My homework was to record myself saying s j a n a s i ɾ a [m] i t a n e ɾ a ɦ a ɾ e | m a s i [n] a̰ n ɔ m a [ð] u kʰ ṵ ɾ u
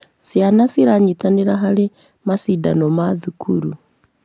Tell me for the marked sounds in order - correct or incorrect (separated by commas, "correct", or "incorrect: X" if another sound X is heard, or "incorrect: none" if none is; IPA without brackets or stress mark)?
incorrect: ɲ, incorrect: d, correct